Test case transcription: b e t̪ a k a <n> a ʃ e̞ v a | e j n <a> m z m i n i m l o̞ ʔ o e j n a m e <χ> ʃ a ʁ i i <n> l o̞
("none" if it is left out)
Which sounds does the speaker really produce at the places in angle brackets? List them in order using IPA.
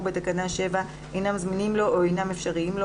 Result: n, a, f, m

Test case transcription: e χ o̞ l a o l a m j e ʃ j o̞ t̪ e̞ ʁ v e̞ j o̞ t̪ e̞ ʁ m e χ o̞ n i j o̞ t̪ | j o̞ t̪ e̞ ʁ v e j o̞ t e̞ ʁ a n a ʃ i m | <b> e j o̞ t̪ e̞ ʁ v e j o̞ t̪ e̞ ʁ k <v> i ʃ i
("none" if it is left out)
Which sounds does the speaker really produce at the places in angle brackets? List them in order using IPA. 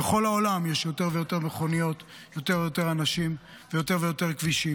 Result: v, v

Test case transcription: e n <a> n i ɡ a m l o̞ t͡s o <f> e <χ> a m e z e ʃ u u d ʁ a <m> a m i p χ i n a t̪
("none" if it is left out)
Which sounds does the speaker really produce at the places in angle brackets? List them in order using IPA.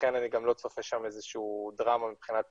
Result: a, f, ʃ, m

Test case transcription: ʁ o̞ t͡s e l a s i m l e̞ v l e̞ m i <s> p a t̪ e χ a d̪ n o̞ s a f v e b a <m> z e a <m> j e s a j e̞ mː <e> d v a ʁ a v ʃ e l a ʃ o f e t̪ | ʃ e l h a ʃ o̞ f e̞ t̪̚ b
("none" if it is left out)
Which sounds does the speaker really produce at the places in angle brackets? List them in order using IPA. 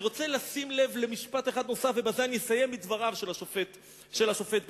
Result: ʃ, none, n, i

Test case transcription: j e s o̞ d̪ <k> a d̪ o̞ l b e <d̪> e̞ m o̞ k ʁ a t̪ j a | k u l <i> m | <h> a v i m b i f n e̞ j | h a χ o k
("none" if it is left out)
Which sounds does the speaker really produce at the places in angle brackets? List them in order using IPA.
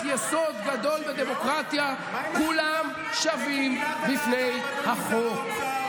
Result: ɡ, d̪, a, ʃ

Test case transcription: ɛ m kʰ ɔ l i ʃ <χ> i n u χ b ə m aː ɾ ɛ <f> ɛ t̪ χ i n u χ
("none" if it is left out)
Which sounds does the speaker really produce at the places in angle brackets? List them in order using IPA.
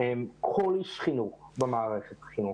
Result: χ, χ

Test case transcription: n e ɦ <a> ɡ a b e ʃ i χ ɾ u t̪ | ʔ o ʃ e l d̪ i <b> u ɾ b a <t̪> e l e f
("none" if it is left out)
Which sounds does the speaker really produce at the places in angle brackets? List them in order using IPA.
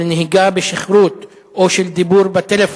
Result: i, b, t̪

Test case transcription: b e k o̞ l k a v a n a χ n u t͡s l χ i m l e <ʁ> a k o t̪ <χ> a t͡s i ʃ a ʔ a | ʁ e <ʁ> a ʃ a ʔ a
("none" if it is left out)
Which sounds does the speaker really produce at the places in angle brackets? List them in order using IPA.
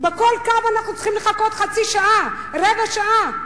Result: χ, χ, v

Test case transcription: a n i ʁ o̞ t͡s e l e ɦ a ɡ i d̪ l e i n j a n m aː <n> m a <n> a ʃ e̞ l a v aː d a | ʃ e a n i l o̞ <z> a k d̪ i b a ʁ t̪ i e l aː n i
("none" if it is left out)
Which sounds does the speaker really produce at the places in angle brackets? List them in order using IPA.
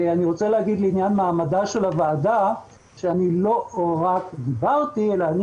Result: none, d, ʁ

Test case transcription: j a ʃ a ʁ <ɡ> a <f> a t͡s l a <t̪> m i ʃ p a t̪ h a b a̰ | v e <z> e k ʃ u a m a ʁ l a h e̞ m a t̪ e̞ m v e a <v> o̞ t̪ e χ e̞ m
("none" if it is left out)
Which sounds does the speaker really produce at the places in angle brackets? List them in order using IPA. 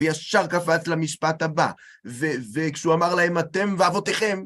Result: k, f, none, v, v

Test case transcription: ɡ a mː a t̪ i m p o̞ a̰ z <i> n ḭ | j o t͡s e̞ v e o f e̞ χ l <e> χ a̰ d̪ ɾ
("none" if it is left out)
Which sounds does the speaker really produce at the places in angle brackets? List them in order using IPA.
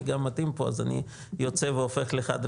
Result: a, e

